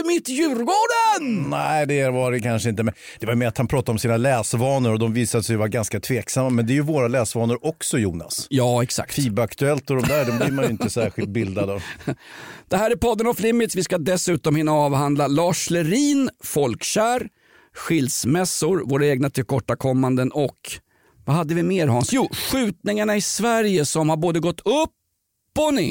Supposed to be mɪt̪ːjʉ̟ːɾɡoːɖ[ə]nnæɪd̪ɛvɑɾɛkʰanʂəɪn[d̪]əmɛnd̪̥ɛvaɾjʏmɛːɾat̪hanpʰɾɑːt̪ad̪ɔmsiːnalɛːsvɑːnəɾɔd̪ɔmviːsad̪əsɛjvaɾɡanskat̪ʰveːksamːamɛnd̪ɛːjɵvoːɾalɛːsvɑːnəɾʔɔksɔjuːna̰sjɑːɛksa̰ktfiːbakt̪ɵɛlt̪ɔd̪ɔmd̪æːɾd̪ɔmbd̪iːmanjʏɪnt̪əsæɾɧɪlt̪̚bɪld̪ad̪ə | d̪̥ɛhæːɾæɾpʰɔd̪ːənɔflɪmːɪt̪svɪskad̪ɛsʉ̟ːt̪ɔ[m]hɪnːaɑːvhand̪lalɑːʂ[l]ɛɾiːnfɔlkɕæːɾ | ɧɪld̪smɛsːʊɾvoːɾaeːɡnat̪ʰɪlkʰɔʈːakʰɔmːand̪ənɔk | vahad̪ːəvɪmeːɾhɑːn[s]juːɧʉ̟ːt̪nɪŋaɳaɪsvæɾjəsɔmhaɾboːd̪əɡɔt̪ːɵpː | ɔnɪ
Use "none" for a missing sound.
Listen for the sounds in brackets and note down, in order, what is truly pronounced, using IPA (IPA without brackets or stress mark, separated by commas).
ə, t̪, m, l, s